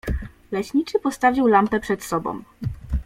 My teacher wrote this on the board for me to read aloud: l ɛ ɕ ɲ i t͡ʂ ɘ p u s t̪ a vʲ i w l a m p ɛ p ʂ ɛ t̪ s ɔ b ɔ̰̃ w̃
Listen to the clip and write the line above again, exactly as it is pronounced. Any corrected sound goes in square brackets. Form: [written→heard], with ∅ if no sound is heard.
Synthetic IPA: l ɛ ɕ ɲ i t͡ʂ ɘ p [u→ɔ] s t̪ a vʲ i w l a m p ɛ p ʂ ɛ t̪ s ɔ b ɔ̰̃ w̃